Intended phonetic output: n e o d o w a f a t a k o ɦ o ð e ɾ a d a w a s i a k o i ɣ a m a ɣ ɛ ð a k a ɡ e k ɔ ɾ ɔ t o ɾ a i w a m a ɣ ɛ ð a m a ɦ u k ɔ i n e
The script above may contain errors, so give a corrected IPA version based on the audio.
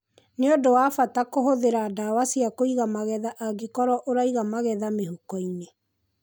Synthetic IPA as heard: n e o d o w a f a t a k o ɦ o ð e ɾ a d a w a s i a k o i ɣ a m a ɣ ɛ ð a ʔ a ɡ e k ɔ ɾ ɔ ʔ o ɾ a i ɣ a m a ɣ ɛ ð a m e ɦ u k ɔ i n e